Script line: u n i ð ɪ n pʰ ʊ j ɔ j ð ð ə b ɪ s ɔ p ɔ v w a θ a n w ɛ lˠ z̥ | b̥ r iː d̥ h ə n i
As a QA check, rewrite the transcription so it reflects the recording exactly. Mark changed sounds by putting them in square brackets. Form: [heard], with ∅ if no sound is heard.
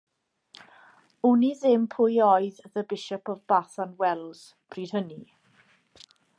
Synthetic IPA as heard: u n i ð ɪ [m] pʰ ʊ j ɔ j ð ð ə b ɪ [ʃ] ɔ p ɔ v [b] a θ a n w ɛ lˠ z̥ | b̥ r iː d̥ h ə n i